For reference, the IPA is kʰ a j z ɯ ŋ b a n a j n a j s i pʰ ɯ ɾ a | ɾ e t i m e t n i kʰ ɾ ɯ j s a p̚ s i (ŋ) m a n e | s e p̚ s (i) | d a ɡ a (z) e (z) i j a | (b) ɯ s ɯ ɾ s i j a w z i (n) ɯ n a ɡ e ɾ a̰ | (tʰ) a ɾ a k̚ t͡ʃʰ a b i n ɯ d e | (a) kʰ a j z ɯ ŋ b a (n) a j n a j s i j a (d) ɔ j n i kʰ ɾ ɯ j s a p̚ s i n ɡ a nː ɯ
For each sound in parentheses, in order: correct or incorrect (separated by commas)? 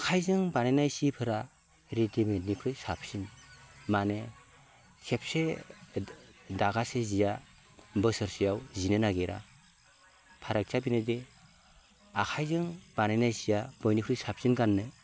incorrect, incorrect, incorrect, correct, correct, correct, incorrect, correct, correct, incorrect